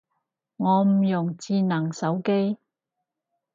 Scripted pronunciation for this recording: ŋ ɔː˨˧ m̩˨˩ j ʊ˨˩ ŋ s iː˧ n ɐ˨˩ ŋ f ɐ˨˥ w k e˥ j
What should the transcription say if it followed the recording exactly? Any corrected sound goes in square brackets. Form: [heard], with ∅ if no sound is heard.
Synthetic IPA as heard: ŋ ɔː˨˧ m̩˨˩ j ʊ˨˩ ŋ [t͡s] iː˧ n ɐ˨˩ ŋ [s] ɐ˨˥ w k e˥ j